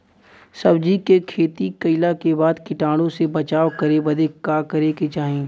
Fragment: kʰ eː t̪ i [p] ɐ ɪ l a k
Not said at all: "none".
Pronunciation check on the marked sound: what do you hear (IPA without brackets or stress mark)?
k